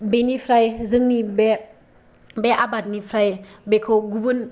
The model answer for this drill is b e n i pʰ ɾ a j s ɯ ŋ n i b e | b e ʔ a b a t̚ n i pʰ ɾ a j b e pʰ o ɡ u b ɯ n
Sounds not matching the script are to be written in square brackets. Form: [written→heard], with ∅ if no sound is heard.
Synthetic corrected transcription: b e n i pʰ ɾ a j [s→z] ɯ ŋ n i b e | b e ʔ a b a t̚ n i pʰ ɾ a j b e [pʰ→kʰ] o ɡ u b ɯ n